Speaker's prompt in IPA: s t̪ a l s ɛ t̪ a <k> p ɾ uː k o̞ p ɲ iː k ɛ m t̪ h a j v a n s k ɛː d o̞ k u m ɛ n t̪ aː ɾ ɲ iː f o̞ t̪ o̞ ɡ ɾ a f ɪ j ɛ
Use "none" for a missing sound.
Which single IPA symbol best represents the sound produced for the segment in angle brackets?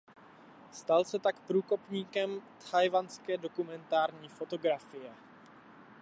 k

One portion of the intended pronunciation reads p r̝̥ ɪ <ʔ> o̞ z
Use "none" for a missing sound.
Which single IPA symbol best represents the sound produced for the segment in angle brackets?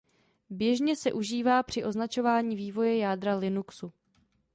ʔ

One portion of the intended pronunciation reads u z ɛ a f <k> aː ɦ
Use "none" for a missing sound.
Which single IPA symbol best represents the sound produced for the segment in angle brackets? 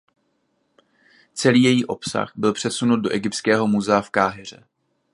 k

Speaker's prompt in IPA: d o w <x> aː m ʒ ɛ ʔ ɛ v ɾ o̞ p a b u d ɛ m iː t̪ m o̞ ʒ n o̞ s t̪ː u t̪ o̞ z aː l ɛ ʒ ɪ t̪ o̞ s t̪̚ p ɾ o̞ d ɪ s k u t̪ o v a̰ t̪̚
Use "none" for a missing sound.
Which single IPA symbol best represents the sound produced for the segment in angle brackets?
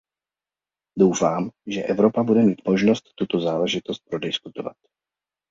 f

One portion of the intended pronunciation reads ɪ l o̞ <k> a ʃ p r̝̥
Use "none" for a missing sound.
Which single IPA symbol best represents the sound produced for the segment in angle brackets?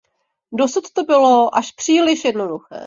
ʔ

